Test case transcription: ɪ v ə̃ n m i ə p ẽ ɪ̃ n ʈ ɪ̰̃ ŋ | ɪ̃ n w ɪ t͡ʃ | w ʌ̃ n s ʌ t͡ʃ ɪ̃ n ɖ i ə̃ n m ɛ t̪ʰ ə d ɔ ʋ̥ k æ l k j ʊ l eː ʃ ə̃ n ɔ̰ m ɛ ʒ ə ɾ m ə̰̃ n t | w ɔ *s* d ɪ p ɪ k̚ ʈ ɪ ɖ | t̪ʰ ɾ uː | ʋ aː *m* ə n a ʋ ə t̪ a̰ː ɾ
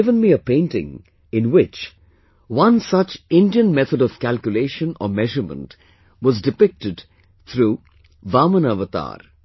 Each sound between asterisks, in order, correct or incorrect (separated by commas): incorrect, correct